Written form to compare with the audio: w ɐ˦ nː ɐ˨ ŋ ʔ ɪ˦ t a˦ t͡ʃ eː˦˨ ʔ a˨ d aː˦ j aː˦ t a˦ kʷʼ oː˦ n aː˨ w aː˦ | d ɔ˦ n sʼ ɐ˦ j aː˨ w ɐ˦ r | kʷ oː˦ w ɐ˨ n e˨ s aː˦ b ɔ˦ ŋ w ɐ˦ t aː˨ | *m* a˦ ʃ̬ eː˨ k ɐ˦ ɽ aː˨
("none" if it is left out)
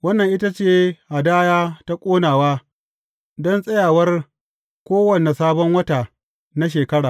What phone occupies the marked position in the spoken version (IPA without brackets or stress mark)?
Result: n